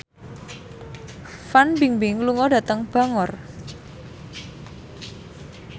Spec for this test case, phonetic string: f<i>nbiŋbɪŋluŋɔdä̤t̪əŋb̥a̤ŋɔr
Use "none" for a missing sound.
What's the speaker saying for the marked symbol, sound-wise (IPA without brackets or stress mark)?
a